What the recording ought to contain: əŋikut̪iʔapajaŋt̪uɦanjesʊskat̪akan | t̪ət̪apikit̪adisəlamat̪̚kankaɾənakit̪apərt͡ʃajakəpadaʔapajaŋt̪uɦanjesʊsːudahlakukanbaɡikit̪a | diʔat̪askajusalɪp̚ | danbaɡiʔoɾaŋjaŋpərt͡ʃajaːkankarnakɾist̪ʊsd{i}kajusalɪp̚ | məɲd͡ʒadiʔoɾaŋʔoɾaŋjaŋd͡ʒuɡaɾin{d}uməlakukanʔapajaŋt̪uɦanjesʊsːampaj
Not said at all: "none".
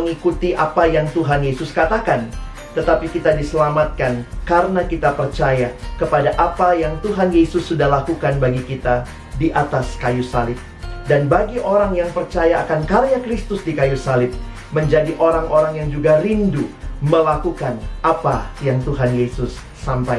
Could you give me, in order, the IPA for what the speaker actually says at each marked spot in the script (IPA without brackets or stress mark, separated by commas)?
i, d